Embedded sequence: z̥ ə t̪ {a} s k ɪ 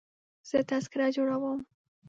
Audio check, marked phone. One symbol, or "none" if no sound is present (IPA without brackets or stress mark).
a